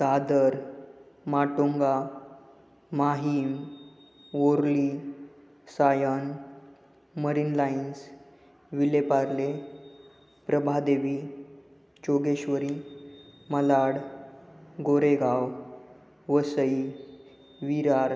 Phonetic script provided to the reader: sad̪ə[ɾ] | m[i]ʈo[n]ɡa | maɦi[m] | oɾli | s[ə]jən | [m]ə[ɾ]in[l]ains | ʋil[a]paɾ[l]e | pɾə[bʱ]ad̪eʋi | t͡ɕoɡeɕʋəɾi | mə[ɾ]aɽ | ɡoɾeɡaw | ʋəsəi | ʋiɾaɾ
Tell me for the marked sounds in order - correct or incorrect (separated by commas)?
correct, incorrect, incorrect, correct, incorrect, correct, correct, correct, incorrect, correct, correct, incorrect